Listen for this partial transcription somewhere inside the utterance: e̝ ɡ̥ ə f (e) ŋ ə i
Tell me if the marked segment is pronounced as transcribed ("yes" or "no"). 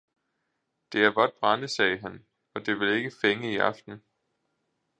yes